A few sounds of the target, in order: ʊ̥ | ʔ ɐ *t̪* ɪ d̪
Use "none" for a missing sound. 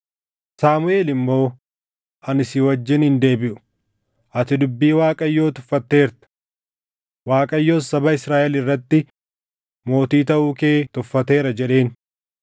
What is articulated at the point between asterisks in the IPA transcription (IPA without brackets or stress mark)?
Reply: t̪